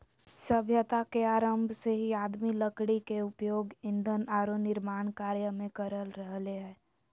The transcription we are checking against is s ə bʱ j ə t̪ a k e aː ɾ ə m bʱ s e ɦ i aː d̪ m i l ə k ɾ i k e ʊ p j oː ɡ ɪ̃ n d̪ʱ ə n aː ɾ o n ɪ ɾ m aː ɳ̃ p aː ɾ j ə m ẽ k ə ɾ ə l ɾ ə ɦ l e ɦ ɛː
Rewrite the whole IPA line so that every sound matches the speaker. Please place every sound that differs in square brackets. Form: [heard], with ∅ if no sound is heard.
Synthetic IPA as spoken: s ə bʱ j ə t̪ a k e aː ɾ ə m bʱ s e ɦ i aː d̪ m i l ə k [ɽ] i k e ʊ p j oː ɡ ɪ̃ n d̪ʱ ə n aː ɾ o n ɪ ɾ m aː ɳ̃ [k] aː ɾ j ə m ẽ k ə ɾ ə l ɾ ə ɦ l e ɦ ɛː

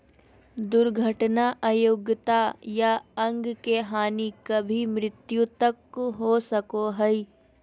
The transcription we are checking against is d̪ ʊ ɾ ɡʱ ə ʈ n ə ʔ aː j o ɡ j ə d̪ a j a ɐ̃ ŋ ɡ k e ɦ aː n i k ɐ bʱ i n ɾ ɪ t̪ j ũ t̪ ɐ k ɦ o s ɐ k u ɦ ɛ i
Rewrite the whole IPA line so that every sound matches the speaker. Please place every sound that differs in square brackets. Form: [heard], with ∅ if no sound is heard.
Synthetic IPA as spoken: d̪ ʊ ɾ ɡʱ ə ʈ n [a] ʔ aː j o ɡ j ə [t̪] a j a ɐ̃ ŋ ɡ k e ɦ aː n i k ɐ bʱ i [m] ɾ ɪ t̪ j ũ t̪ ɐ k ɦ o s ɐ k [o] ɦ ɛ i

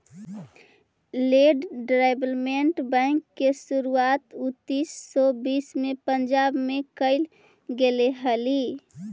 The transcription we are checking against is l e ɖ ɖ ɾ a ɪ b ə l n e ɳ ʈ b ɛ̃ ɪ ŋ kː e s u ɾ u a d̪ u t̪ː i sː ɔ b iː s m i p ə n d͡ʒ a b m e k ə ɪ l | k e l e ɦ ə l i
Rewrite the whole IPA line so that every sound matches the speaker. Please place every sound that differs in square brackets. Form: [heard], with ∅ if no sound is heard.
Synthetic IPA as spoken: l e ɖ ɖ ɾ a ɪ b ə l [m] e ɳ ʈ b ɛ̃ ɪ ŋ kː e s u ɾ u a [t̪] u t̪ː i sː ɔ b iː s m [e] p ə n d͡ʒ a b m e k ə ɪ l | [ɡ] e l e ɦ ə l i

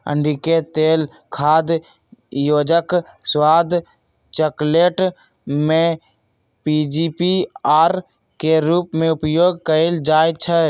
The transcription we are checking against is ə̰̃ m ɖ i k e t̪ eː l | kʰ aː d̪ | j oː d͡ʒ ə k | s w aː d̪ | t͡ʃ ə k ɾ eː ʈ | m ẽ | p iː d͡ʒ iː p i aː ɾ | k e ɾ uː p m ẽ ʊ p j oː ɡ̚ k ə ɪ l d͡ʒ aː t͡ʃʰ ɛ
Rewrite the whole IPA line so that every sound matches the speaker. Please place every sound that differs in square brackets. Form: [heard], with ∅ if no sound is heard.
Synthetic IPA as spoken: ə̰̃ [ɳ] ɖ i k e t̪ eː l | kʰ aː d̪ | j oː d͡ʒ ə k | s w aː d̪ | t͡ʃ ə k [l] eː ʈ | m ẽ | p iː d͡ʒ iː p i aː ɾ | k e ɾ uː p m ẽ ʊ p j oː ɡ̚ k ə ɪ l d͡ʒ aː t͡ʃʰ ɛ

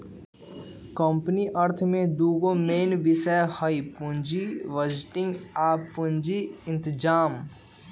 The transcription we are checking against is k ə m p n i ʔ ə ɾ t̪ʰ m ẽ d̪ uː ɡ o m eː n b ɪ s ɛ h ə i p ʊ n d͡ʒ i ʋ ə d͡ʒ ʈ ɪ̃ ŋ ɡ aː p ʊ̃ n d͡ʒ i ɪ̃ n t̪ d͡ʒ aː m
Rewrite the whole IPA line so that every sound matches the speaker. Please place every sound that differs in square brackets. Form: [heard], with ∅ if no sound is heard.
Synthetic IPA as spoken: k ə m p n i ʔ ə ɾ t̪ʰ m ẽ d̪ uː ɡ o m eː n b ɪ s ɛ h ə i p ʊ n d͡ʒ i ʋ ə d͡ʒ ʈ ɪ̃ ŋ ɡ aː p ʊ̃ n d͡ʒ i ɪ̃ n t̪ d͡ʒ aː m

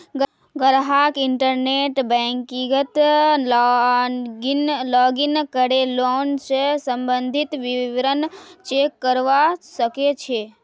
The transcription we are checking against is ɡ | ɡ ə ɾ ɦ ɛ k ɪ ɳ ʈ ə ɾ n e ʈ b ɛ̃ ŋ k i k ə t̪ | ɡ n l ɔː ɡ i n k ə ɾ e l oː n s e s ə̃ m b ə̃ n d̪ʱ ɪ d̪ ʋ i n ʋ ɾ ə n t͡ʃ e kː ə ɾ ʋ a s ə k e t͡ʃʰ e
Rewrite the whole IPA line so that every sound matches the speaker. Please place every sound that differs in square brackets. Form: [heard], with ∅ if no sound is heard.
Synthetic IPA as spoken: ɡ | ɡ ə ɾ ɦ [a] k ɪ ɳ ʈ ə ɾ n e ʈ b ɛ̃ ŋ k i [ɡ] ə t̪ | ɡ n l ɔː ɡ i n k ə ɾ e l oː n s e s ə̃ m b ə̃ n d̪ʱ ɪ [t̪] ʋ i [∅] ʋ ɾ ə n t͡ʃ e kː ə ɾ ʋ a s ə k e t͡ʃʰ e

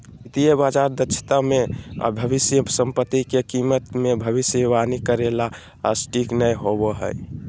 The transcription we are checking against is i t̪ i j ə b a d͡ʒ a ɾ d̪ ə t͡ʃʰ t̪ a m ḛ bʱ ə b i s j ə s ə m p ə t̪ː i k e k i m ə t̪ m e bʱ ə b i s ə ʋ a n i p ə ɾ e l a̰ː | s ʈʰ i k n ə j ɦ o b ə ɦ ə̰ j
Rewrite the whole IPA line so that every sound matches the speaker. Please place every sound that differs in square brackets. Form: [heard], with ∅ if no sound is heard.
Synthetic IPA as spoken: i t̪ i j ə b a d͡ʒ a ɾ d̪ ə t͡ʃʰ t̪ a m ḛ bʱ ə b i s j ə s ə m p ə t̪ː i k e k i m ə t̪ m e bʱ ə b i s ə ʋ a n i [k] ə ɾ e l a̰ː | s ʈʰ i k n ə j ɦ o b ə ɦ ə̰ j

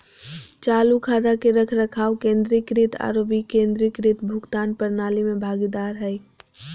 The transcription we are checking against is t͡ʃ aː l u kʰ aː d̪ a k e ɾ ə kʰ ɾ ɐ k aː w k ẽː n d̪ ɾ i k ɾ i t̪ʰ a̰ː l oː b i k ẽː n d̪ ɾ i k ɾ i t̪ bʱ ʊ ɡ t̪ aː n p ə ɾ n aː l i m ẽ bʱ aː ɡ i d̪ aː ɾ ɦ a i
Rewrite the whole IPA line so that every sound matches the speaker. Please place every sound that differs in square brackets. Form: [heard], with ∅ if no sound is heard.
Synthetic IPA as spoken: t͡ʃ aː l u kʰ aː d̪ a k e ɾ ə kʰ ɾ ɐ [kʰ] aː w k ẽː n d̪ ɾ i k ɾ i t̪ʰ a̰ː [ɾ] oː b i k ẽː n d̪ ɾ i k ɾ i t̪ bʱ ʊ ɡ t̪ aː n p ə ɾ n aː l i m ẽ bʱ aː ɡ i d̪ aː ɾ ɦ [ɛ] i

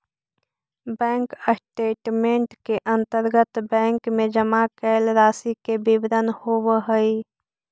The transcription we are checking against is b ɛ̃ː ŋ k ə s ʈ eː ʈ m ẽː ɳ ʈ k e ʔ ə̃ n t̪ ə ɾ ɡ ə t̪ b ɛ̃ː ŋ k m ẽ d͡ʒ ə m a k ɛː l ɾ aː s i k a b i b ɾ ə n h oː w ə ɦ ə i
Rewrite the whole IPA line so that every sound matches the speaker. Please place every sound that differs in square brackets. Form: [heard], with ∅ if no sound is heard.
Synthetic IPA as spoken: b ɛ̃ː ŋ k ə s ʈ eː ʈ m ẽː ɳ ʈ k e ʔ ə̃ n t̪ ə ɾ ɡ ə t̪ b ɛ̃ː ŋ k m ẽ d͡ʒ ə m a k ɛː l ɾ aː s i k [e] b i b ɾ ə n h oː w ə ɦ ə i

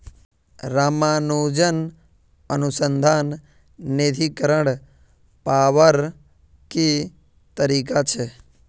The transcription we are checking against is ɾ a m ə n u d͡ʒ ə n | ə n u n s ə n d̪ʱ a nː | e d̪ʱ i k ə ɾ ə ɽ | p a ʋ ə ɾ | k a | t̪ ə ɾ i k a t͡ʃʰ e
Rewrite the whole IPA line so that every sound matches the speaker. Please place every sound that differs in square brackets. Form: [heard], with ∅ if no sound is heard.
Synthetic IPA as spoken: ɾ a m [a] n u d͡ʒ ə n | ə n u [∅] s ə n d̪ʱ a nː | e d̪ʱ i k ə ɾ ə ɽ | p a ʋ ə ɾ | k [i] | t̪ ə ɾ i k a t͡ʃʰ e

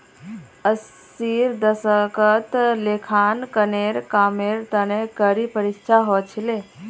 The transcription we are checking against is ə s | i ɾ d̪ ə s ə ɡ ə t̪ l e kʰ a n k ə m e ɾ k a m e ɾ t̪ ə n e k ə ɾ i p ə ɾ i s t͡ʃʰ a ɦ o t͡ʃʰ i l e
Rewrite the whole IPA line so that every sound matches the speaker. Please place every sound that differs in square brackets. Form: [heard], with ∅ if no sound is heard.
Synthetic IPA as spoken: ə s | i ɾ d̪ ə s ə [k] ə t̪ l e kʰ a n k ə [n] e ɾ k a m e ɾ t̪ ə n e k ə ɾ i p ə ɾ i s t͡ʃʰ a ɦ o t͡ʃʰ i l e

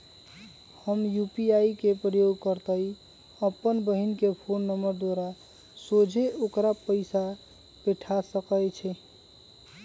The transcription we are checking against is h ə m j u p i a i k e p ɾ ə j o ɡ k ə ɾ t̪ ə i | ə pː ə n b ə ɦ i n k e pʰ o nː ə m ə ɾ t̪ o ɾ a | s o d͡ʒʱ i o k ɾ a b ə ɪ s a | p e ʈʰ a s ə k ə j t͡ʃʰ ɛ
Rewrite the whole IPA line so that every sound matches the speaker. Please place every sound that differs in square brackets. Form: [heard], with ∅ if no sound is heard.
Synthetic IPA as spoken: h ə m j u p i a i k e p ɾ ə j o ɡ k ə ɾ t̪ ə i | ə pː ə n b ə ɦ i n k e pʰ o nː ə m ə ɾ [d̪] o ɾ a | s o d͡ʒʱ [e] o k ɾ a [p] ə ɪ s a | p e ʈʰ a s ə k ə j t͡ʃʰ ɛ

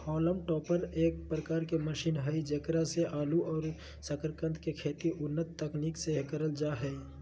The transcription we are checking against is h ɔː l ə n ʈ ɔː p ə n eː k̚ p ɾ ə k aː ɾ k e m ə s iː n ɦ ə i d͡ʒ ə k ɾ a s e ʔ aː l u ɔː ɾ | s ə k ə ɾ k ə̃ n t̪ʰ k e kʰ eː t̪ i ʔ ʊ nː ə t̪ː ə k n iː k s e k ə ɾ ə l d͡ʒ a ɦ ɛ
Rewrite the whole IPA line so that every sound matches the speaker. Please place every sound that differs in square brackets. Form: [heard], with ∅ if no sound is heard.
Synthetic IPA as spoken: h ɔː l ə [m] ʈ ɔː p ə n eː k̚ p ɾ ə k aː ɾ k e m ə [ʃ] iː n ɦ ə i d͡ʒ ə k ɾ a s e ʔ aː l u ɔː ɾ | s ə k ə ɾ k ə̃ n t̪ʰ k e kʰ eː t̪ i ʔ ʊ nː ə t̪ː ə k n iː k s e k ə ɾ ə l d͡ʒ a ɦ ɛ

